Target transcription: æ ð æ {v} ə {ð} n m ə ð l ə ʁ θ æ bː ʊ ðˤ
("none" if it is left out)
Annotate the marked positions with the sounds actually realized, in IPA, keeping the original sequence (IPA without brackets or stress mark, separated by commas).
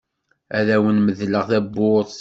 w, none